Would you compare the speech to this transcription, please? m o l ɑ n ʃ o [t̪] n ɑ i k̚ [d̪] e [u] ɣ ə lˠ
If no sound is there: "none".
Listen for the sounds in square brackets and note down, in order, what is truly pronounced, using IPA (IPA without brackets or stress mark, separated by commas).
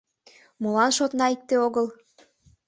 t̪, t̪, o